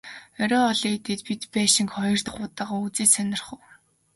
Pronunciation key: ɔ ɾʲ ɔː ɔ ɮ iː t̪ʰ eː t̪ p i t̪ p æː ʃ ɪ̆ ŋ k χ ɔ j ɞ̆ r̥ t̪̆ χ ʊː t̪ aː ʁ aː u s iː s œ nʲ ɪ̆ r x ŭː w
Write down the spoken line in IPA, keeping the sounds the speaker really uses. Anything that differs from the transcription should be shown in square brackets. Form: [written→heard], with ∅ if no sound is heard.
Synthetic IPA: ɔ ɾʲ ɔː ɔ ɮ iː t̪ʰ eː t̪ p i t̪ p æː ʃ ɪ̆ ŋ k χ ɔ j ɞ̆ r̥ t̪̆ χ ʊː t̪ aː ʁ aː u [s→t͡s] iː s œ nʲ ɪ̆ r [x→χ] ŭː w